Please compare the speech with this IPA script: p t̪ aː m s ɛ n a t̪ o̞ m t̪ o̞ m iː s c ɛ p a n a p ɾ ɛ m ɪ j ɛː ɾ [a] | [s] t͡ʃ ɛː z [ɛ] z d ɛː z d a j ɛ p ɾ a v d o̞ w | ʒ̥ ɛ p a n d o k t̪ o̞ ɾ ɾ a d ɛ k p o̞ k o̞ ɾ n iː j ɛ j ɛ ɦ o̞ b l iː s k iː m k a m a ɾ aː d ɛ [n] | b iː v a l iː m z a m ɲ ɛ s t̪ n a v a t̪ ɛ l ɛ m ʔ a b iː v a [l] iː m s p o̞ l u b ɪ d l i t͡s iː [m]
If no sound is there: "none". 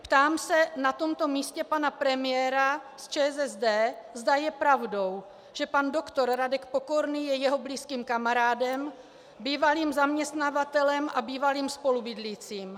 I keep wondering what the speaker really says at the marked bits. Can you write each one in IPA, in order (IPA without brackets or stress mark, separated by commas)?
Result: a, s, ɛ, m, l, m